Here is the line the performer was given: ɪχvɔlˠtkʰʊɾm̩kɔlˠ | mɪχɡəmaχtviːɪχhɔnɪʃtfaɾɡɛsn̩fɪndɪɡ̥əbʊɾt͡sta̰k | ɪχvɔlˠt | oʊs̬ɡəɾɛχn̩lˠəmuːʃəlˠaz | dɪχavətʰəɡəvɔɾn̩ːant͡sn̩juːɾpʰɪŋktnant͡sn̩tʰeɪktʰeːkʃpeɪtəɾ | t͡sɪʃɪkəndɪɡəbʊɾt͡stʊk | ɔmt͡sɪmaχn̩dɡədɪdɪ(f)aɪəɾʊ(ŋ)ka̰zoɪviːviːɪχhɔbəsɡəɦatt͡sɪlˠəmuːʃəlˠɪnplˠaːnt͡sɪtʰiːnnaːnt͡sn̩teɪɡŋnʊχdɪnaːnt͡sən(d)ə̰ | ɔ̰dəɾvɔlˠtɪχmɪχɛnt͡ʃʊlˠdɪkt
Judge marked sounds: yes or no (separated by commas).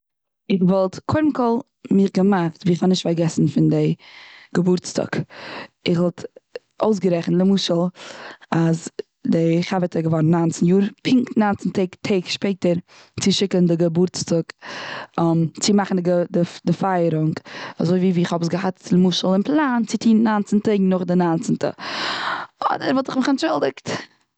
yes, yes, no